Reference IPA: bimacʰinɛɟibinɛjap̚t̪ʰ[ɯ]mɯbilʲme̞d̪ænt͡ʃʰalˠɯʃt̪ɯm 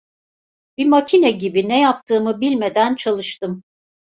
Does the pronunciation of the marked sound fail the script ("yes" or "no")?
yes